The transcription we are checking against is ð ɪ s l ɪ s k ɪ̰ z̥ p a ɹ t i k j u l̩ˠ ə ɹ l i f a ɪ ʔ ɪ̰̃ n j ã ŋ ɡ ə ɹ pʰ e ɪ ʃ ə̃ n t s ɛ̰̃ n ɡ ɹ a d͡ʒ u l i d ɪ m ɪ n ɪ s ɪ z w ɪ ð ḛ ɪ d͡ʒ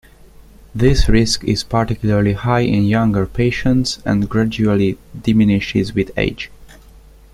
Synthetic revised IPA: ð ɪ s ɹ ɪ s k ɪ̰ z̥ p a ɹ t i k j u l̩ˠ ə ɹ l i h a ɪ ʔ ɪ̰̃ n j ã ŋ ɡ ə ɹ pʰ e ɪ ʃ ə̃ n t s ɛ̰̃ n ɡ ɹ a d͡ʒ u l i d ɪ m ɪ n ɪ ʃ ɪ z w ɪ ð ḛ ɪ d͡ʒ